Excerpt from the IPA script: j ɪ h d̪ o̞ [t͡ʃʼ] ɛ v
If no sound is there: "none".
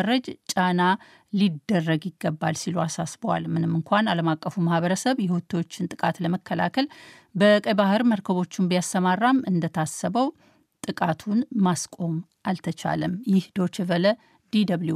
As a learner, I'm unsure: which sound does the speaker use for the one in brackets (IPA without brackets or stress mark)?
t͡ʃ